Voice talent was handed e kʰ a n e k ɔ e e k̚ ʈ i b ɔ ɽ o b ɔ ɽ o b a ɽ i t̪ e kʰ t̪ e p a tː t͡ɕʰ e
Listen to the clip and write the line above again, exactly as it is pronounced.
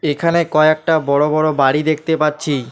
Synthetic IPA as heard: e kʰ a n e k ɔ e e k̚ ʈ a b ɔ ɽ o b ɔ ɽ o b a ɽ i d̪ e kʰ t̪ e p a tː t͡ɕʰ i